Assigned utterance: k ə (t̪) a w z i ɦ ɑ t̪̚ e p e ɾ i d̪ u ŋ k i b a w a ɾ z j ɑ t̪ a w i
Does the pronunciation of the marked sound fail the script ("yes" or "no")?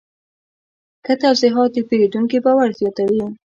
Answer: no